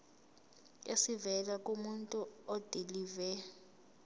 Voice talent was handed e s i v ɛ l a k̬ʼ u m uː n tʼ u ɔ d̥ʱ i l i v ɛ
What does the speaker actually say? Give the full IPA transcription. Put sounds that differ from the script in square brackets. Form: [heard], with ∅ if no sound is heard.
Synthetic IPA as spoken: e s i v ɛ l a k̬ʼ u m [u] n tʼ u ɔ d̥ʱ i l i v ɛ